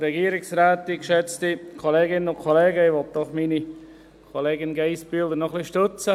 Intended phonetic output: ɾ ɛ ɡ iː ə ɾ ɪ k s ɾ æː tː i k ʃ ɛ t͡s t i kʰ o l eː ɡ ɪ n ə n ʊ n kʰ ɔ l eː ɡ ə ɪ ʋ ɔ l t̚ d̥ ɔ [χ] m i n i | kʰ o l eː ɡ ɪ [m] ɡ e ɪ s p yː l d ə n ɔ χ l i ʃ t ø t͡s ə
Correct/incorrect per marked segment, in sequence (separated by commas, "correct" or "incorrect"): correct, incorrect